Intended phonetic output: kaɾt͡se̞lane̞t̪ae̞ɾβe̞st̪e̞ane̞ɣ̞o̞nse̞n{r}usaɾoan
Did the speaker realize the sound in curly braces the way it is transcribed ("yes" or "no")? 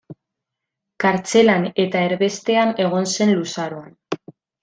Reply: no